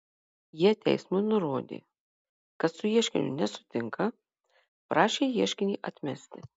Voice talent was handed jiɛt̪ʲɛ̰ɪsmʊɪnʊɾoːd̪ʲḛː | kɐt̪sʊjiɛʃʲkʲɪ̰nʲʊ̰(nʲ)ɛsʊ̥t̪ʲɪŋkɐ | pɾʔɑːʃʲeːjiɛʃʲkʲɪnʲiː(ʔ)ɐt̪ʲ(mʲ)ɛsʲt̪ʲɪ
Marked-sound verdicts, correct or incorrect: correct, correct, correct

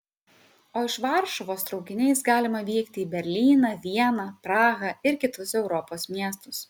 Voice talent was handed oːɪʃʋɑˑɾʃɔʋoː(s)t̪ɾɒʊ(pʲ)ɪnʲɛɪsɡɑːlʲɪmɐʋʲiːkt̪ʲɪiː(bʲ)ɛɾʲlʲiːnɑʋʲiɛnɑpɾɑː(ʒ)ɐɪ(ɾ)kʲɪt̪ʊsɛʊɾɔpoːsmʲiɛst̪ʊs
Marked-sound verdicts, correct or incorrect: correct, incorrect, correct, incorrect, correct

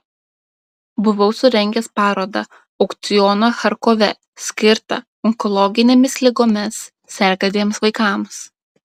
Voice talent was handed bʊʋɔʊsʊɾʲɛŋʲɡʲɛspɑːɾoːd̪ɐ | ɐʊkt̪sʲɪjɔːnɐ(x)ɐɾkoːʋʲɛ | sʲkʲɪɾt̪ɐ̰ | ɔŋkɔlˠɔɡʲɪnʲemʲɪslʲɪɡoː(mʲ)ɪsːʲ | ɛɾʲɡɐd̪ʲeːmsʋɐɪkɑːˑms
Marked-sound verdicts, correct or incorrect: correct, correct

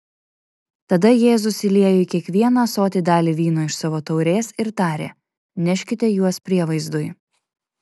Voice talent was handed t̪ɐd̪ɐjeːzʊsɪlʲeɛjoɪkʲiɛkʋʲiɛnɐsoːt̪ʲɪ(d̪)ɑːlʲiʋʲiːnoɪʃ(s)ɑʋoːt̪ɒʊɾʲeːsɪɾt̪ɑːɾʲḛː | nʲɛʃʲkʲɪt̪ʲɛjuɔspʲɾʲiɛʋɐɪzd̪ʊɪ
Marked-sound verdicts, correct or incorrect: correct, correct

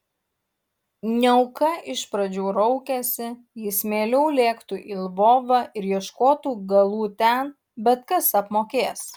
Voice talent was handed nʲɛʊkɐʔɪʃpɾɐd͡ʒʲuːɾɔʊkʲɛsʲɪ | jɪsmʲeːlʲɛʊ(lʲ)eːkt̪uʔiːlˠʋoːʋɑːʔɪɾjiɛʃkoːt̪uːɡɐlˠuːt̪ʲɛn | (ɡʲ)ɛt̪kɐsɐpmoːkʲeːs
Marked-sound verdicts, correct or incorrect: correct, incorrect

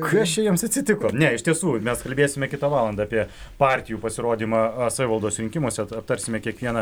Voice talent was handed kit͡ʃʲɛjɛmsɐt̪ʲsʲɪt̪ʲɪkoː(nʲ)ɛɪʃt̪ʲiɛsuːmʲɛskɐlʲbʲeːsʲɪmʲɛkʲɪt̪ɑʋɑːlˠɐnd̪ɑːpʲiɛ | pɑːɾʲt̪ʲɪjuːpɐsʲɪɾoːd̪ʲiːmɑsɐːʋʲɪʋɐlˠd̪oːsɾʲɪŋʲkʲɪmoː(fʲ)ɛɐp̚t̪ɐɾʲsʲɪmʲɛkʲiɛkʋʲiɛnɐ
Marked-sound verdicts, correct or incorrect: correct, incorrect

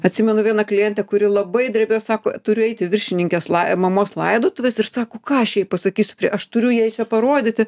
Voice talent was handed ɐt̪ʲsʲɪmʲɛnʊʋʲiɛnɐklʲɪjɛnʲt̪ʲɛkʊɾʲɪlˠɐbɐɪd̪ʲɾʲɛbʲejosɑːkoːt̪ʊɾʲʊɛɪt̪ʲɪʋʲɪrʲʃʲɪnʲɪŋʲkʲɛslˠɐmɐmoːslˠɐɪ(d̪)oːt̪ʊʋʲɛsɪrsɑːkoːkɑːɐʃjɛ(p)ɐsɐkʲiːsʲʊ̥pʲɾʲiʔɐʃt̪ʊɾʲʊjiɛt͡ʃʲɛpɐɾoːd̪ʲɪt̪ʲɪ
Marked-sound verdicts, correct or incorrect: correct, correct

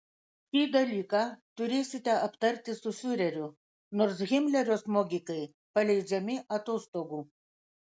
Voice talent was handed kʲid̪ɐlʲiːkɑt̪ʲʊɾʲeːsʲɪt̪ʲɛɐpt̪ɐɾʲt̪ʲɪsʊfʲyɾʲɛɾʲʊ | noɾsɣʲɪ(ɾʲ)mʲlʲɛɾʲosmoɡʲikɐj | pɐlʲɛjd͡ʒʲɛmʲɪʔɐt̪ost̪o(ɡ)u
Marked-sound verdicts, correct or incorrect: incorrect, correct

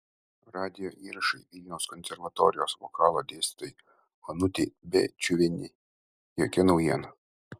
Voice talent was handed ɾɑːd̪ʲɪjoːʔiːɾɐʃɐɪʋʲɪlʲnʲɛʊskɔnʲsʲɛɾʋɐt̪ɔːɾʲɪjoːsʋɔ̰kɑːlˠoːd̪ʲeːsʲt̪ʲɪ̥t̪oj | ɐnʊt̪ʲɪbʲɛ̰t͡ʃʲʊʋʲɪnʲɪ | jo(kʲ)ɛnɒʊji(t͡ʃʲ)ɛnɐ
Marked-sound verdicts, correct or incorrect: correct, incorrect

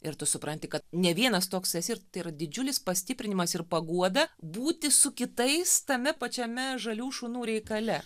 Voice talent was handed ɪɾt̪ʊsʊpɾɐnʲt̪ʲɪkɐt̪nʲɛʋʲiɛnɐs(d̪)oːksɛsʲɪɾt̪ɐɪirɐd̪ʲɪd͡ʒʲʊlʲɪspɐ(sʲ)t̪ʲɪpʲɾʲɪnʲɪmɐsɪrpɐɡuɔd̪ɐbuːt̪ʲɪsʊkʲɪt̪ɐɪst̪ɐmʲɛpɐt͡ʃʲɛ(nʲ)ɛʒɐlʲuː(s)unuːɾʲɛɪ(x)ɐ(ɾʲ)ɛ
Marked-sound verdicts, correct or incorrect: incorrect, correct, incorrect, incorrect, incorrect, incorrect

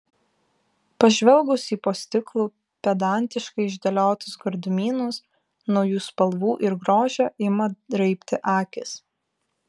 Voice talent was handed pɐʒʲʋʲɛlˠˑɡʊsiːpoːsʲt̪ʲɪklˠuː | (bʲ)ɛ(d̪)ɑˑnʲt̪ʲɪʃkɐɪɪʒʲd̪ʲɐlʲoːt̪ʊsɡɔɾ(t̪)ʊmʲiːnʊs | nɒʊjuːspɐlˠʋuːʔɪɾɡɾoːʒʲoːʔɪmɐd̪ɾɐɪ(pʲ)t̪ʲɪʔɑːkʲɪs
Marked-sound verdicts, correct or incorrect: incorrect, correct, incorrect, correct

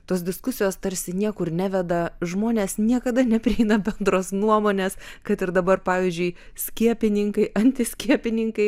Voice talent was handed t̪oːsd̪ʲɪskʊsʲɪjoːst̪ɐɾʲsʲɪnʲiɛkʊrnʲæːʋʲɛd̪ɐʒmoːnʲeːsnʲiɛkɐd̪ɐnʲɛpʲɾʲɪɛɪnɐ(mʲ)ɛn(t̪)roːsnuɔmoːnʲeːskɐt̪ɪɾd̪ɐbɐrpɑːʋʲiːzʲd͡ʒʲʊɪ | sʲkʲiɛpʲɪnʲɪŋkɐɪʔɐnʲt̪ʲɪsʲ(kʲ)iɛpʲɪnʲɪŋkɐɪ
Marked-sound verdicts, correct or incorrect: incorrect, incorrect, correct

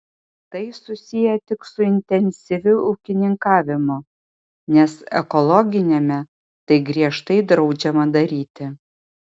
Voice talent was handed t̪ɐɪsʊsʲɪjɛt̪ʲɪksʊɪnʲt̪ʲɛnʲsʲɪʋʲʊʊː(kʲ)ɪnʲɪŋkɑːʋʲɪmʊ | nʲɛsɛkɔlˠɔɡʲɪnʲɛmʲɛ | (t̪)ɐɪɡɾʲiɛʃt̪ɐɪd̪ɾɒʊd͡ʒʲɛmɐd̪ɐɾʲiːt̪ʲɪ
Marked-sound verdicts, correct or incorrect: correct, correct

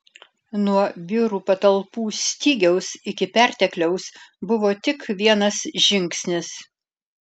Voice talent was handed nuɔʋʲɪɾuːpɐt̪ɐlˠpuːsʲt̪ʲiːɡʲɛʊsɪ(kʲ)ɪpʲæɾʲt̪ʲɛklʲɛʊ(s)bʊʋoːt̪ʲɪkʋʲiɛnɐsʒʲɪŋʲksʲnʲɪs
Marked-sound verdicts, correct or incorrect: correct, correct

